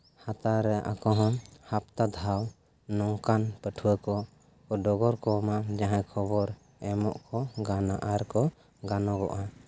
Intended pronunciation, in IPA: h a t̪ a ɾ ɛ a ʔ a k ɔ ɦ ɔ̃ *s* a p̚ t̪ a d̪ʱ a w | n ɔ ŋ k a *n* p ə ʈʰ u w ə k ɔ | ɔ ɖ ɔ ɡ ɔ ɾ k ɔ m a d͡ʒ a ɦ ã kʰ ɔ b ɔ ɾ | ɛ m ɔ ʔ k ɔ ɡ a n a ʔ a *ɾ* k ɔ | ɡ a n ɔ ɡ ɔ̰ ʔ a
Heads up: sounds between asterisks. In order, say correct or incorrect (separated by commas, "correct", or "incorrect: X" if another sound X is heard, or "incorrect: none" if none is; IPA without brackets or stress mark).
incorrect: h, correct, correct